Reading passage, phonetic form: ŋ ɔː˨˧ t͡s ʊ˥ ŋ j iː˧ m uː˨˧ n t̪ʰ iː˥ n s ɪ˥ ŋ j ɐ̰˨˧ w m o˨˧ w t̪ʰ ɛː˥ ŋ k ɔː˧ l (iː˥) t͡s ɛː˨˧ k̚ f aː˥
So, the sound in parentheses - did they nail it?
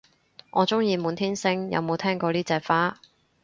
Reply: yes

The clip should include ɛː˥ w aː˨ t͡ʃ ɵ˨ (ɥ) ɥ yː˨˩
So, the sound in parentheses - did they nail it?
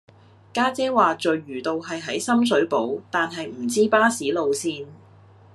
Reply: yes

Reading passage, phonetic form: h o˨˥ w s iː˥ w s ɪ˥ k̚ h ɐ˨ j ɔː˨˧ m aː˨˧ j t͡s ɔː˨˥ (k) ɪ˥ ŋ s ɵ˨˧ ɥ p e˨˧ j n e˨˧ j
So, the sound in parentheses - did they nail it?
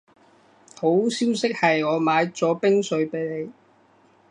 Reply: no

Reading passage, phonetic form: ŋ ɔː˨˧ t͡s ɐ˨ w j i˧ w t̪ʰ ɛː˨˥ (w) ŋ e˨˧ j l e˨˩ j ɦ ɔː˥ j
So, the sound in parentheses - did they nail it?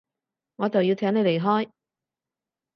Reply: no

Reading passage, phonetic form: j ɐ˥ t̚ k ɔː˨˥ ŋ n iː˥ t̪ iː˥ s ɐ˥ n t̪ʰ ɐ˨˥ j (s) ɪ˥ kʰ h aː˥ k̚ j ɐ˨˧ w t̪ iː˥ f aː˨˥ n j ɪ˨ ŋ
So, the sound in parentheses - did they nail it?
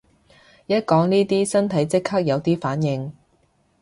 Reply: no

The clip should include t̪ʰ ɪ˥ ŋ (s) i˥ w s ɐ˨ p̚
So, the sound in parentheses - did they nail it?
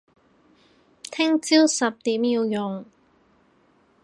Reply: no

